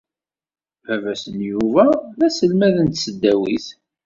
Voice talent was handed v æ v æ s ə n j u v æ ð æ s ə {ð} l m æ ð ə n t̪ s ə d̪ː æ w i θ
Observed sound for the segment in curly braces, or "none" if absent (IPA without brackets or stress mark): none